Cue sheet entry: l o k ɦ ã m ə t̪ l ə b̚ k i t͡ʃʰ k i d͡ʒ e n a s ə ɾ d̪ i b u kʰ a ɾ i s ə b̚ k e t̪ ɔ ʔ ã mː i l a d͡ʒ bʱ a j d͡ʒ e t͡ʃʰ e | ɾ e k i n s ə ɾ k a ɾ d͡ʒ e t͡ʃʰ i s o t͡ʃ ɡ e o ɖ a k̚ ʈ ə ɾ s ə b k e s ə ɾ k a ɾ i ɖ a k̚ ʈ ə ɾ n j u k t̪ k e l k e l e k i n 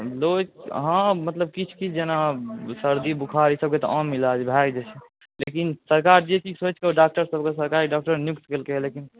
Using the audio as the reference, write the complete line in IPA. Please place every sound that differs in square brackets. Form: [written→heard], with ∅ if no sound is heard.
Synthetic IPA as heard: l o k ɦ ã m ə t̪ l ə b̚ k i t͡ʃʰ k i d͡ʒ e n a s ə ɾ d̪ i b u kʰ a ɾ i s ə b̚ k e t̪ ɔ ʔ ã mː i l a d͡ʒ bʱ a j d͡ʒ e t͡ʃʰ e | [ɾ→l] e k i n s ə ɾ k a ɾ d͡ʒ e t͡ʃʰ i s o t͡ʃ [ɡ→k] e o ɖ a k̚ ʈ ə ɾ s ə b k e s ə ɾ k a ɾ i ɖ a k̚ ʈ ə ɾ n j u k t̪ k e l k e l e k i n